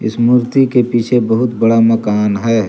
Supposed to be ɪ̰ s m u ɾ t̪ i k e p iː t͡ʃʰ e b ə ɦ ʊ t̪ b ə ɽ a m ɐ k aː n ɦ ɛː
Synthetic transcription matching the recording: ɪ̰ s m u ɾ t̪ i k e p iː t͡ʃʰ e b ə ɦ ʊ t̪ b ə ɽ a m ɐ k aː n ɦ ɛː